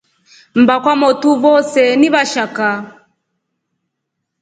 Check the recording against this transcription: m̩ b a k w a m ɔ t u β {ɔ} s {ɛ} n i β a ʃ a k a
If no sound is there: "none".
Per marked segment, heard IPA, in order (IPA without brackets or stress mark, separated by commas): ɔ, ɛ